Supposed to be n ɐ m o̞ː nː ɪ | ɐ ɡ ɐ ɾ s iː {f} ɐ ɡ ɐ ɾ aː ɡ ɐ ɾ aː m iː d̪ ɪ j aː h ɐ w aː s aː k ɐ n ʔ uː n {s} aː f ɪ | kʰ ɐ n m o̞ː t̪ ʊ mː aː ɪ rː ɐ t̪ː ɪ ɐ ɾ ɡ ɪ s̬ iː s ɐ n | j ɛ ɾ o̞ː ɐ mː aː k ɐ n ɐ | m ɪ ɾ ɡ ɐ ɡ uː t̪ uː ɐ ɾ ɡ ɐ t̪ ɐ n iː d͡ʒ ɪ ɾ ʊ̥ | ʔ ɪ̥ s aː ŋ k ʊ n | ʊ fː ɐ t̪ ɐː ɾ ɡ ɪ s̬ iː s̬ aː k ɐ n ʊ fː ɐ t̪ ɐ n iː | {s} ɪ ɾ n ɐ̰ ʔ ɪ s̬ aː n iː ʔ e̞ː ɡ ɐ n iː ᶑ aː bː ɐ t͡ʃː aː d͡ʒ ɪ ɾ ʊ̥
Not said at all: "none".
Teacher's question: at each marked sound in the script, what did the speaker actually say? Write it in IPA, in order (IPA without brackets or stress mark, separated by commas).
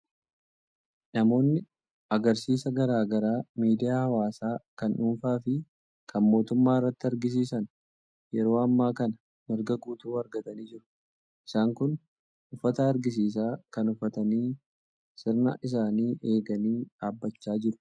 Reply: s, f, s